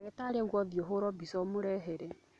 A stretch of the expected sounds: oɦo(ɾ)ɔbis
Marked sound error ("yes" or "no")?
no